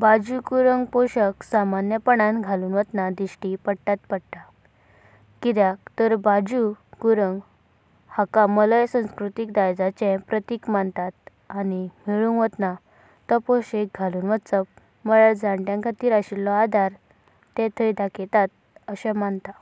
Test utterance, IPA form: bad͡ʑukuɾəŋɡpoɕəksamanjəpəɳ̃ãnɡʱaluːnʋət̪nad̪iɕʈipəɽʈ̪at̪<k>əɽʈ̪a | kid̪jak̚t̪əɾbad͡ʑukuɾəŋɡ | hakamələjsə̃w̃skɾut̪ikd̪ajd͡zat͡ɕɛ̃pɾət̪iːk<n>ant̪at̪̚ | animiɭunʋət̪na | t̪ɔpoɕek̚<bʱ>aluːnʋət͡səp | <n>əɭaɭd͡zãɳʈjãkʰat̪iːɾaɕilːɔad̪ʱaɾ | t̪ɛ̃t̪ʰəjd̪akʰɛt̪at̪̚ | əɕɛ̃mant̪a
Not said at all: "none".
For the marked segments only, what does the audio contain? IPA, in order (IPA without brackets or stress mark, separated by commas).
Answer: p, m, ɡʱ, m